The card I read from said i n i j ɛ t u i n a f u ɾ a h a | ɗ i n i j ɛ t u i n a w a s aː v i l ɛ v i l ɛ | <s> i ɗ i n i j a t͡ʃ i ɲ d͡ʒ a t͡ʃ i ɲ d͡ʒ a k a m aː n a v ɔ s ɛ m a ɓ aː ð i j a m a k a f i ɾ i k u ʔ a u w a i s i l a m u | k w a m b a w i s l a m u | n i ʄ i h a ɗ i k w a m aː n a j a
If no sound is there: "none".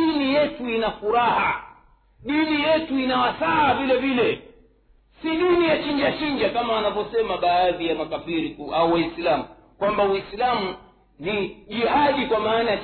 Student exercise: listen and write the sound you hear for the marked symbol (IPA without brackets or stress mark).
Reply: s